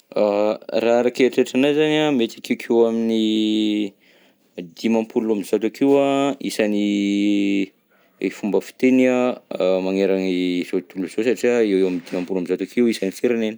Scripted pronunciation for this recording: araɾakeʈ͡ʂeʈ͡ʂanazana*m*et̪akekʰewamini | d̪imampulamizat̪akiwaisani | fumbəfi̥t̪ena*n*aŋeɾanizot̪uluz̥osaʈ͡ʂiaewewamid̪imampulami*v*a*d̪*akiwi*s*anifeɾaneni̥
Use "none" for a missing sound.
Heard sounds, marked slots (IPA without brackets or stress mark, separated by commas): m, m, z, t̪, s